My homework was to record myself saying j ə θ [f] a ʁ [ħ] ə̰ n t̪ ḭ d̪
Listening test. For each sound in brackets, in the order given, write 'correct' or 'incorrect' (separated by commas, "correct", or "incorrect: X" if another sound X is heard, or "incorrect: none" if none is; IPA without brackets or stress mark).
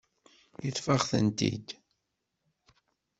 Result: correct, incorrect: θ